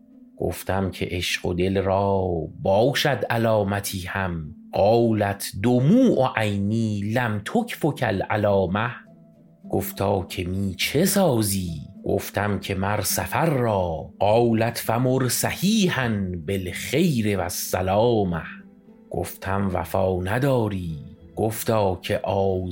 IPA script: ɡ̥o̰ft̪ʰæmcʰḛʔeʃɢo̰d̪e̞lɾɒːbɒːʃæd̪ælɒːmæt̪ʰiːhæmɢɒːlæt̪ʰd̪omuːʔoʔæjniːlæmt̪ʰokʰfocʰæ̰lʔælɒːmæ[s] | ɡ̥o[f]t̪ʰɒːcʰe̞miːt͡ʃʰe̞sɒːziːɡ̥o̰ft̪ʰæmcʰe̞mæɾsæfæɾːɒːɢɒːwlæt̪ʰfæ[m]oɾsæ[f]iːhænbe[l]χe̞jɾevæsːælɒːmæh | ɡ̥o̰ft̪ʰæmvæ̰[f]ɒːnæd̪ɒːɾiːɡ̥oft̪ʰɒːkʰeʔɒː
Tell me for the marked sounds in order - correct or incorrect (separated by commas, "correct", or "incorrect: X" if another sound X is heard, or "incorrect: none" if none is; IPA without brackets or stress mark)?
incorrect: h, correct, correct, incorrect: h, correct, correct